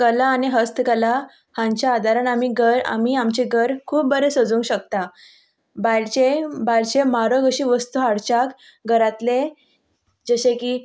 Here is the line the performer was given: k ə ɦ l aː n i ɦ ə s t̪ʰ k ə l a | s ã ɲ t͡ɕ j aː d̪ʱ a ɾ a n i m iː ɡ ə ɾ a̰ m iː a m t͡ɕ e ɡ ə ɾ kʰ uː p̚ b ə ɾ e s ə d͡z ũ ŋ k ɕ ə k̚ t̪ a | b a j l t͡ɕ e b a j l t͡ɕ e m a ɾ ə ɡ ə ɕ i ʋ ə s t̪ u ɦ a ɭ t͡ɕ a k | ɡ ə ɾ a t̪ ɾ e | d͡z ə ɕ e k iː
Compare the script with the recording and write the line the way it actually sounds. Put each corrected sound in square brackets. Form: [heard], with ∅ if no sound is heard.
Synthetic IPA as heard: k ə [∅] l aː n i ɦ ə s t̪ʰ k ə l a | [h] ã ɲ t͡ɕ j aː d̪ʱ a ɾ a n [a] m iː ɡ ə ɾ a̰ m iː a m t͡ɕ e ɡ ə ɾ kʰ uː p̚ b ə ɾ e s ə d͡z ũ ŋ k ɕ ə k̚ t̪ a | b a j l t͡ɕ e b a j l t͡ɕ e m a ɾ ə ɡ ə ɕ i ʋ ə s t̪ u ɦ a [ɽ] t͡ɕ a k | ɡ ə ɾ a t̪ [l] e | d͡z ə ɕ e k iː